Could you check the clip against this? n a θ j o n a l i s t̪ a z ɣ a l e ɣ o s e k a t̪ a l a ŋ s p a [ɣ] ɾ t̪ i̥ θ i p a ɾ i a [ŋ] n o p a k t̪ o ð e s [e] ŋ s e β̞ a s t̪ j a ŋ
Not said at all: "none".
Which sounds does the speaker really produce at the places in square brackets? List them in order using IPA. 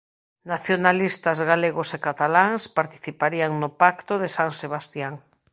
none, ŋ, a

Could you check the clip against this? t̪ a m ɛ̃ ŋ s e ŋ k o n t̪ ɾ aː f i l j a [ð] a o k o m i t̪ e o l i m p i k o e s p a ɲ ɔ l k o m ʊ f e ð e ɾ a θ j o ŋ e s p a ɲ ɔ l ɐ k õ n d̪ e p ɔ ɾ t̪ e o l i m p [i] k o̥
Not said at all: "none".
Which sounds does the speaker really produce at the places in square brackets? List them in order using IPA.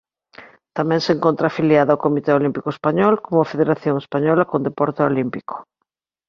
ð, i

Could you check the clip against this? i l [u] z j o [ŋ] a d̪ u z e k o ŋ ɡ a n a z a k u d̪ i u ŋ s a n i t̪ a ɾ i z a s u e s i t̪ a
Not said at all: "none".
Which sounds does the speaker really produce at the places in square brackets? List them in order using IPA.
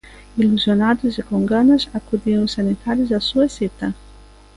u, n

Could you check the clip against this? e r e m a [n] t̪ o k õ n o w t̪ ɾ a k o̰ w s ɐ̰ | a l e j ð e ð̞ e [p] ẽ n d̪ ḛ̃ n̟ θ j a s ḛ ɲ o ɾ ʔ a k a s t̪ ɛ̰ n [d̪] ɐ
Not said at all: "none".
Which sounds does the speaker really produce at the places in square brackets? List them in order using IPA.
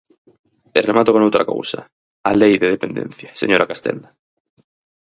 none, p, d̪

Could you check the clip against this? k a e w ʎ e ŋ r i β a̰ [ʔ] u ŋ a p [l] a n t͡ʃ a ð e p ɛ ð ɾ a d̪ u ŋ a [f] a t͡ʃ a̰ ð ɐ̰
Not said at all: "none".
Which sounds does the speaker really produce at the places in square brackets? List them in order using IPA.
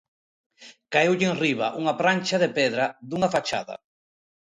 ʔ, ɾ, f

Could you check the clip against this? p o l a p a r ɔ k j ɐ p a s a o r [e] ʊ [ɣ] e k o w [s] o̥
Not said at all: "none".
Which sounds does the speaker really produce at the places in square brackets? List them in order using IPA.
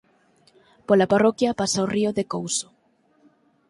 i, ð, s

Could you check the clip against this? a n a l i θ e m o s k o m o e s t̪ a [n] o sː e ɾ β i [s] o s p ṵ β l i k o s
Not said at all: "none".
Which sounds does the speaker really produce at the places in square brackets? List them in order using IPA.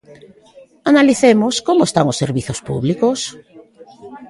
ŋ, θ

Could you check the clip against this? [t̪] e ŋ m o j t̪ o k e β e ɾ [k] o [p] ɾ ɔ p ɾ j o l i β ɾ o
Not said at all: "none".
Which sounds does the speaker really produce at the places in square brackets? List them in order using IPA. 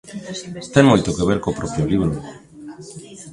t̪, k, p

